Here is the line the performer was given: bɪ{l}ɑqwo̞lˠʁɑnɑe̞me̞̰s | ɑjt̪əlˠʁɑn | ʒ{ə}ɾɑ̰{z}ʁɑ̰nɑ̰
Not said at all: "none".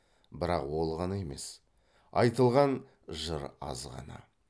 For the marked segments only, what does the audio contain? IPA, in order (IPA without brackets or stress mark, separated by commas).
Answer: ɾ, ə, z